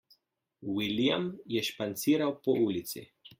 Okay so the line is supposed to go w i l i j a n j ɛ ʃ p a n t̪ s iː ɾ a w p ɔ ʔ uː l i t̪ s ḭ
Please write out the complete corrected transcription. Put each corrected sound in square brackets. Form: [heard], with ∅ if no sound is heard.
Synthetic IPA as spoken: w i l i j a [m] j ɛ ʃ p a n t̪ s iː ɾ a w p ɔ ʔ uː l i t̪ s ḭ